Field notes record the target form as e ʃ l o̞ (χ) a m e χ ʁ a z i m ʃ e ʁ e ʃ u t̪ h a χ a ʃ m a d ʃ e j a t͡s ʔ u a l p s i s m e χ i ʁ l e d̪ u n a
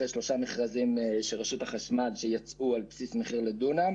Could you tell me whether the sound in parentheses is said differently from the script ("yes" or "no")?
yes